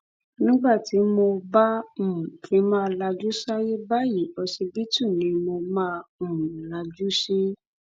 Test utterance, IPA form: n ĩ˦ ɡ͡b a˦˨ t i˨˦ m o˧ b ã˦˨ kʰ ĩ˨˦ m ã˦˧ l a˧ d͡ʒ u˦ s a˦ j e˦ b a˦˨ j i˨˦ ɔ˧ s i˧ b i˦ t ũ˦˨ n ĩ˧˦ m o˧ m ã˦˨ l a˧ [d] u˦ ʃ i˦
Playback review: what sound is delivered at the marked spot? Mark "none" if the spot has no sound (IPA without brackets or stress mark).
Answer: d͡ʒ